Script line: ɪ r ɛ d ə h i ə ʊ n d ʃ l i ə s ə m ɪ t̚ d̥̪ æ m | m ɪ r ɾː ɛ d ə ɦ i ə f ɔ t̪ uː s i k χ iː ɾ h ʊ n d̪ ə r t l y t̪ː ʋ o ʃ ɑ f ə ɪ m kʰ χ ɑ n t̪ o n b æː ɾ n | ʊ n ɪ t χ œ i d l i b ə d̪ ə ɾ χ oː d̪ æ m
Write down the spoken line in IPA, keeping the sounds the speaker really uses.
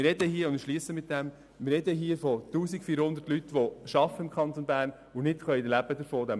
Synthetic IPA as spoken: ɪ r ɛ d ə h i ə ʊ n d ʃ l i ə s ə m ɪ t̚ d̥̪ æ m | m ɪ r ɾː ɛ d ə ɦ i ə f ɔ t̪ uː s i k f iː ɾ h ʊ n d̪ ə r t l y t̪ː ʋ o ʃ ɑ f ə ɪ m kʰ χ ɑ n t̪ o n b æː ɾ n | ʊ n ɪ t χ œ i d l æ b ə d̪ ə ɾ f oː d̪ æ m